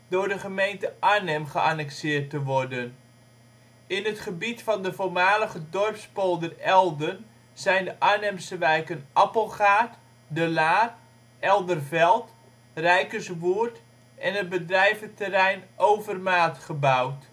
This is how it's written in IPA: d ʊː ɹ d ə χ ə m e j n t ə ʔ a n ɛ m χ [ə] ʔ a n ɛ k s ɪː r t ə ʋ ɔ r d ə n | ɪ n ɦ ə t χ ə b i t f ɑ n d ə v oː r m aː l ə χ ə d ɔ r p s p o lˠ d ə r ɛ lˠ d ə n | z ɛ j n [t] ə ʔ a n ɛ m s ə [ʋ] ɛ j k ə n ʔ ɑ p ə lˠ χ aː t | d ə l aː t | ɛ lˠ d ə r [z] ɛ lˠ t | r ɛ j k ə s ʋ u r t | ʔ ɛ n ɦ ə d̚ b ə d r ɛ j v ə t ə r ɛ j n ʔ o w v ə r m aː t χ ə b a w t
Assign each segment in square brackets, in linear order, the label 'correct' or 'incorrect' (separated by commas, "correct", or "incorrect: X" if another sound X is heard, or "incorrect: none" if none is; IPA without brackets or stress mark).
correct, incorrect: d, correct, incorrect: v